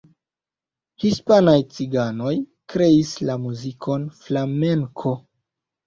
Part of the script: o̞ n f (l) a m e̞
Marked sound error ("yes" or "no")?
no